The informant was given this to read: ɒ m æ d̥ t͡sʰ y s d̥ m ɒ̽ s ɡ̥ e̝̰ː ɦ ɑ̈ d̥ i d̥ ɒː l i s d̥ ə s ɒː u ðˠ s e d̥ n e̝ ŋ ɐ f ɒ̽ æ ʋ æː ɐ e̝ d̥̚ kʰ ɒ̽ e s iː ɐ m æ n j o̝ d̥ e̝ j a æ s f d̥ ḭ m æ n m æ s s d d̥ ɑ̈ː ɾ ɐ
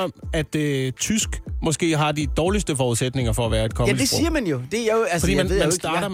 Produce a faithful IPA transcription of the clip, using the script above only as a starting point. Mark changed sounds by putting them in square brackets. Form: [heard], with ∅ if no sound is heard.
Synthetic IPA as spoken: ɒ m æ d̥ t͡sʰ y s [ɡ̥] m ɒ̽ s ɡ̥ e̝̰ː ɦ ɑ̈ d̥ i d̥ ɒː l i s d̥ ə [f] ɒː u ðˠ s e d̥ n e̝ ŋ ɐ f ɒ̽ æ ʋ æː ɐ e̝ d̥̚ kʰ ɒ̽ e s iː ɐ m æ n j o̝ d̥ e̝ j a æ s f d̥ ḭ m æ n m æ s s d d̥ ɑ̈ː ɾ ɐ